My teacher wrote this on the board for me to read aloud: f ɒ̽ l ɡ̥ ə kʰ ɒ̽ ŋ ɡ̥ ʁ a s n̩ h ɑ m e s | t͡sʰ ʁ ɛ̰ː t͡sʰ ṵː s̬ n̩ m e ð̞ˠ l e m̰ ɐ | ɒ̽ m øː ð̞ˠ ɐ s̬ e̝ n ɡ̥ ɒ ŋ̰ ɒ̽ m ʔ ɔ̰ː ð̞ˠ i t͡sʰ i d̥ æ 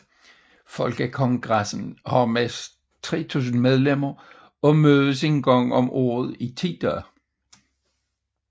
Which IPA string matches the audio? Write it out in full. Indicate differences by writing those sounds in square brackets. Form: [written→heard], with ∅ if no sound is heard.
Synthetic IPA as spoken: f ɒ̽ l ɡ̥ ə kʰ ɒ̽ ŋ ɡ̥ ʁ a s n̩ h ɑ m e s | t͡sʰ ʁ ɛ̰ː t͡sʰ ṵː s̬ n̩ m e ð̞ˠ l e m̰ ɐ | ɒ̽ m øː ð̞ˠ [ɐ→ə] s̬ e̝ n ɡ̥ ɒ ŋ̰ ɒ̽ m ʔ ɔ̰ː ð̞ˠ i t͡sʰ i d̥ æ